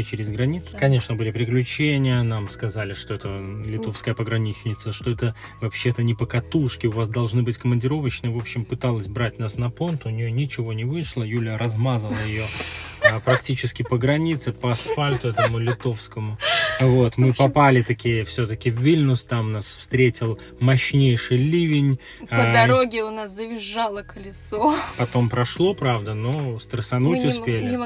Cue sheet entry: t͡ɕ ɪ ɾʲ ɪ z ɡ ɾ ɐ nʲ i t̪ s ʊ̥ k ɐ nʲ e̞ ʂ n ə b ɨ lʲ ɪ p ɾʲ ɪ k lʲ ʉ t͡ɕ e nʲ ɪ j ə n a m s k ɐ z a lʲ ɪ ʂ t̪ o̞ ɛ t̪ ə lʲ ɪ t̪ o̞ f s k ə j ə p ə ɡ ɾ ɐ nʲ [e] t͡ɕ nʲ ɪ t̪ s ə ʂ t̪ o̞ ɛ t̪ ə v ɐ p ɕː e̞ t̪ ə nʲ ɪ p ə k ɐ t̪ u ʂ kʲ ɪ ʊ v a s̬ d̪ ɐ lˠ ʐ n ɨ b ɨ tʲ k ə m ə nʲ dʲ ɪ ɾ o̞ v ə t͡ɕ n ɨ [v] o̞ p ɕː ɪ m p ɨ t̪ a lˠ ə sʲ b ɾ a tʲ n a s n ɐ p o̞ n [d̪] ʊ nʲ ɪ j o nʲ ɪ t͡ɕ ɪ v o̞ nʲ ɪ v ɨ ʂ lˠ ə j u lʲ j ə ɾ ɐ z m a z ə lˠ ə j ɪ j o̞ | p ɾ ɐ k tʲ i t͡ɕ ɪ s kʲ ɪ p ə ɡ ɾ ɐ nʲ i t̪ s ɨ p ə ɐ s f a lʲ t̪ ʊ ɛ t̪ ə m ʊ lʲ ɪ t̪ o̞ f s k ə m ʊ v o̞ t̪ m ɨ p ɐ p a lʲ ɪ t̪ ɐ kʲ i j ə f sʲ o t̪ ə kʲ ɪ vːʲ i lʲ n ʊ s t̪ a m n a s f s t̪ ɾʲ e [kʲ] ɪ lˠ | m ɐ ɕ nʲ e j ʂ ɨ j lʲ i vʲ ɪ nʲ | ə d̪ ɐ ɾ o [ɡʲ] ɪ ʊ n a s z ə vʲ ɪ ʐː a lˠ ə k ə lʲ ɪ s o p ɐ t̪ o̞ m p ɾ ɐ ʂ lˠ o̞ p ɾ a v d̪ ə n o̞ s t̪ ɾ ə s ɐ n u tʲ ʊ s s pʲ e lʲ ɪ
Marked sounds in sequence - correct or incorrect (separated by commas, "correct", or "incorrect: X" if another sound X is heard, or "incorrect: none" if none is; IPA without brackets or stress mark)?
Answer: incorrect: i, correct, incorrect: t̪, incorrect: tʲ, correct